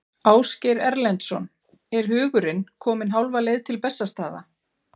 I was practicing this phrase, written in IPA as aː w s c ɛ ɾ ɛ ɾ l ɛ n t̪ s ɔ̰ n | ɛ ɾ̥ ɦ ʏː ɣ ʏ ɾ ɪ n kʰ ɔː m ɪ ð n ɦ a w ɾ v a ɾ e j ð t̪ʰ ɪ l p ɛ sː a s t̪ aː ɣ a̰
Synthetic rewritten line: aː w s c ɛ ɾ ɛ ɾ l ɛ n t̪ s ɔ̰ n | ɛ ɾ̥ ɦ ʏː ɣ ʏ ɾ ɪ n kʰ ɔː m ɪ n ɦ a w l v a l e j ð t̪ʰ ɪ l p ɛ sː a s t̪ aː ð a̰